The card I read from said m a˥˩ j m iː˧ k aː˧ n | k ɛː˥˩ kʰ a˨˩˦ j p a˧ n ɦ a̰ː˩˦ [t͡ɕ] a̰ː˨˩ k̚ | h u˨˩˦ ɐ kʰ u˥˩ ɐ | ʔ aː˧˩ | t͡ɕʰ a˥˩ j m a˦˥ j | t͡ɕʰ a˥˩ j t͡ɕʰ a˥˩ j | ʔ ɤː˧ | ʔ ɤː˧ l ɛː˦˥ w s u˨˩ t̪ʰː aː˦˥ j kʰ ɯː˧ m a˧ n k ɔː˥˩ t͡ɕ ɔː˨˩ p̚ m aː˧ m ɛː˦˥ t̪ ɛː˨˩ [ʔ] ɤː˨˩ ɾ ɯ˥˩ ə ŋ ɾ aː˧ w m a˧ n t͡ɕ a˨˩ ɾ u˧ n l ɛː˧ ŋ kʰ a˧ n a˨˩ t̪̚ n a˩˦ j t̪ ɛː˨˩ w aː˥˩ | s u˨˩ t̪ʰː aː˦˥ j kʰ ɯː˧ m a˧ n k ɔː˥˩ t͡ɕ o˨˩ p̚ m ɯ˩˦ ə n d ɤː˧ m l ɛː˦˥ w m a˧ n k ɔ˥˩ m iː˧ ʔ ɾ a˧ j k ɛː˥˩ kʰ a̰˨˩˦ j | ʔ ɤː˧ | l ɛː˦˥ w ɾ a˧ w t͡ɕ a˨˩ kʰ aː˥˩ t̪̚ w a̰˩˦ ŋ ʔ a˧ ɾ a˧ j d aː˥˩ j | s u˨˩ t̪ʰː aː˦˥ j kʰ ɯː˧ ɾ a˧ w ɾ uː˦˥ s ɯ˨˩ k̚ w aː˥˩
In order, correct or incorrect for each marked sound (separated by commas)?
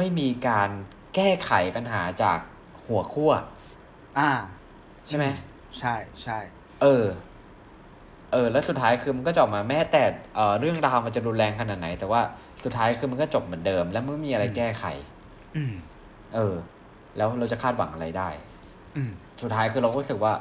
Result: correct, correct